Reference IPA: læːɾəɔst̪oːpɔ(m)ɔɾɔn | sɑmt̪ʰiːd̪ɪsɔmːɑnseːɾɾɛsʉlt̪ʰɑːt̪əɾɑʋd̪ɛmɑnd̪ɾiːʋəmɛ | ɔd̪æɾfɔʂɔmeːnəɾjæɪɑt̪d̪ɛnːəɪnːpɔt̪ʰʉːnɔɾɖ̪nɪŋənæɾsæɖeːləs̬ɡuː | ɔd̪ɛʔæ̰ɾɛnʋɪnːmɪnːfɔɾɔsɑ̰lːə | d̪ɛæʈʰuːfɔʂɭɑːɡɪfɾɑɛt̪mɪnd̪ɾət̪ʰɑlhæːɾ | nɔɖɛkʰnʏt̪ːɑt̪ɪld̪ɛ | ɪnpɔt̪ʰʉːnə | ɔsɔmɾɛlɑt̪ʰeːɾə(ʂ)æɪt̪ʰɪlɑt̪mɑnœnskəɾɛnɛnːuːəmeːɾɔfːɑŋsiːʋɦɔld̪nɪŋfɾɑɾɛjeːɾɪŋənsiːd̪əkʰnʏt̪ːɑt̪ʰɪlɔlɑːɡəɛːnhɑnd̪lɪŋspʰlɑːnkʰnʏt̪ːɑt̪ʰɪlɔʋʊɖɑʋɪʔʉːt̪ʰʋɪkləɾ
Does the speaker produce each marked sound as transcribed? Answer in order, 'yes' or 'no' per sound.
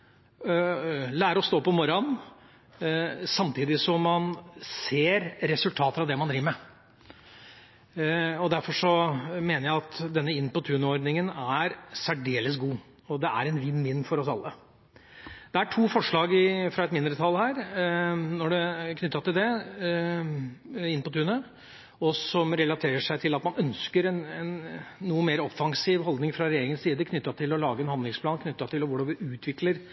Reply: yes, yes

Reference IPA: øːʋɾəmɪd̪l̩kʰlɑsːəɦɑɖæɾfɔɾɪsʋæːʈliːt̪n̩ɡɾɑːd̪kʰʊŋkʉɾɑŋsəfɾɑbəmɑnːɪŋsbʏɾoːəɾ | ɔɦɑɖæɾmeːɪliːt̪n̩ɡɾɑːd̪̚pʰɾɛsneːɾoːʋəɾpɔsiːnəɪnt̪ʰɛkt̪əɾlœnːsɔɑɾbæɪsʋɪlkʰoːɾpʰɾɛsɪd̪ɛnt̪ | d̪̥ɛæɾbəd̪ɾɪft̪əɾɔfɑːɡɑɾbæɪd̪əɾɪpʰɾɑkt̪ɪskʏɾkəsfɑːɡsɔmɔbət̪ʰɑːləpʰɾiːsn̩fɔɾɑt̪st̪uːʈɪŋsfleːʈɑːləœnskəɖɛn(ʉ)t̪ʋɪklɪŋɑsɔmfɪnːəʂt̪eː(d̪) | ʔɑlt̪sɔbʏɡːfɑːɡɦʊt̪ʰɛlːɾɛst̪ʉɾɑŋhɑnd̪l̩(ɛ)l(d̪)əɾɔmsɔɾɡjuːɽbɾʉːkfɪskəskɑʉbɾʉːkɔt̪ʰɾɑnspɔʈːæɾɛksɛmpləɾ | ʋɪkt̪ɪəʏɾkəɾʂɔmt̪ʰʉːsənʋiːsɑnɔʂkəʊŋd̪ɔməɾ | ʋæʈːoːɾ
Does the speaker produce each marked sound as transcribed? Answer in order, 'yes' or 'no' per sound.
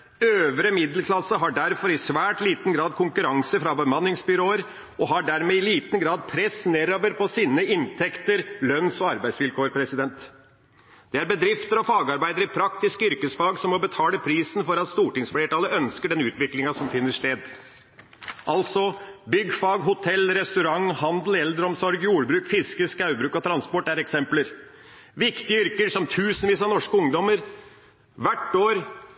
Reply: no, yes, yes, yes

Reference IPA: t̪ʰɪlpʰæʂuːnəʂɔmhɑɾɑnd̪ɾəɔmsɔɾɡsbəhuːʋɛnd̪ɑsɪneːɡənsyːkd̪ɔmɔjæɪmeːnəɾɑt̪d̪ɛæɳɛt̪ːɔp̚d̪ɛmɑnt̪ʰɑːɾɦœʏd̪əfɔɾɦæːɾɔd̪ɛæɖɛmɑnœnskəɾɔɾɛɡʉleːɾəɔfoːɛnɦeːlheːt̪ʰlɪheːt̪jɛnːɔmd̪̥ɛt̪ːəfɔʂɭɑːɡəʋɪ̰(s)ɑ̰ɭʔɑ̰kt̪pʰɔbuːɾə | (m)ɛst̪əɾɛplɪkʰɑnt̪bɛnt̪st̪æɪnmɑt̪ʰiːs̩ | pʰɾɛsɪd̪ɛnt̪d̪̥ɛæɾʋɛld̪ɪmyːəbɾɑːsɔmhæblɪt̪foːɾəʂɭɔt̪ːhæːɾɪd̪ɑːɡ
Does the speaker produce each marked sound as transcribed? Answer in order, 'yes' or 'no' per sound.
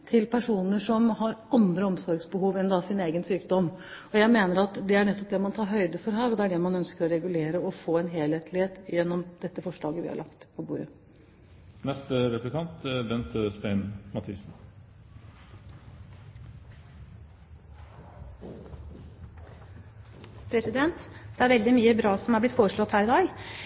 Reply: no, no

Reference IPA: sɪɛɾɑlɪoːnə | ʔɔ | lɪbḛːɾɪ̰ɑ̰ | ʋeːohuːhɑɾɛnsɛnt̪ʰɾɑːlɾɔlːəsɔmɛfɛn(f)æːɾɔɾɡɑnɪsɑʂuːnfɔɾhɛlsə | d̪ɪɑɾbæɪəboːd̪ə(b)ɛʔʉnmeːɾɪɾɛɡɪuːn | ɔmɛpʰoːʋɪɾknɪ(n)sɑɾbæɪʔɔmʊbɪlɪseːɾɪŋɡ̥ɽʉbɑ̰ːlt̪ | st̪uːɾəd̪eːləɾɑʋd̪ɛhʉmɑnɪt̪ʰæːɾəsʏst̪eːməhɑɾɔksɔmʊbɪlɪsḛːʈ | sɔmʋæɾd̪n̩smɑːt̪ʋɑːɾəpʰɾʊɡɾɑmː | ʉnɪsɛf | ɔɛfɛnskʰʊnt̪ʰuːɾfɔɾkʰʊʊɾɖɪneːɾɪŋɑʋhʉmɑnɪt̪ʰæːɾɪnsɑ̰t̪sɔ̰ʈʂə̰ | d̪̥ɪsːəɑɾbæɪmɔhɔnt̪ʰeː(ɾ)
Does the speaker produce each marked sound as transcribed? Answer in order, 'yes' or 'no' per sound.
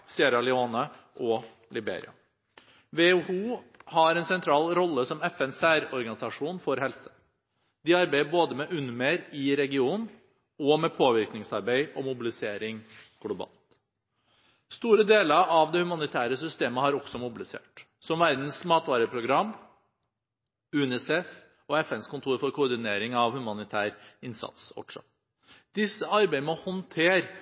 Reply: no, no, no, yes

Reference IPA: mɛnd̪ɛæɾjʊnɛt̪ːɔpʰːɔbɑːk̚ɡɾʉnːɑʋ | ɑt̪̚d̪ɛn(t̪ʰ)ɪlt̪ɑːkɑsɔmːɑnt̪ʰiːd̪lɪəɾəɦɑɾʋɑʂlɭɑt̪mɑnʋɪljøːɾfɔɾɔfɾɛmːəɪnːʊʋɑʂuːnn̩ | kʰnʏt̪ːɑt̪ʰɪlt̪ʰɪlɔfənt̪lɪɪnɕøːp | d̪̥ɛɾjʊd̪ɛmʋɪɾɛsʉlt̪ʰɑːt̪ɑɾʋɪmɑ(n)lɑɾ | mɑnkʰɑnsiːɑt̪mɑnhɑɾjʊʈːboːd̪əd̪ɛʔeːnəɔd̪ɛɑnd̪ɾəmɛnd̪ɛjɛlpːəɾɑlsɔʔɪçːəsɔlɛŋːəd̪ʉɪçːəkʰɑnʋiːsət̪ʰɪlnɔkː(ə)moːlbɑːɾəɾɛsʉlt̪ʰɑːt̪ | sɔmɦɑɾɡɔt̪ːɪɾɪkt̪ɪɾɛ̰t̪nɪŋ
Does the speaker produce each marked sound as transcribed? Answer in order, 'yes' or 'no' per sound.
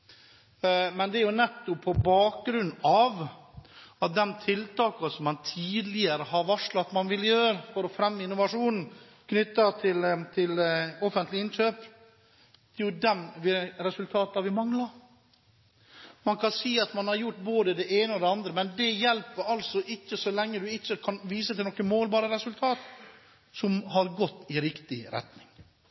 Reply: yes, no, yes

